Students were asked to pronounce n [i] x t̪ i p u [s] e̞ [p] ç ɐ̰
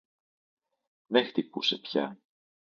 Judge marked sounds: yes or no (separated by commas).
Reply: no, yes, yes